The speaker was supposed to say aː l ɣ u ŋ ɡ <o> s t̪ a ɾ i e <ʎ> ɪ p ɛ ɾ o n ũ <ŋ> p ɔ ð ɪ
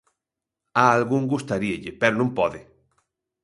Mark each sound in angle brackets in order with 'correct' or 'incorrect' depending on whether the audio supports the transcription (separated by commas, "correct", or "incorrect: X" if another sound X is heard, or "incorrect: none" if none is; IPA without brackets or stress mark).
incorrect: u, correct, incorrect: m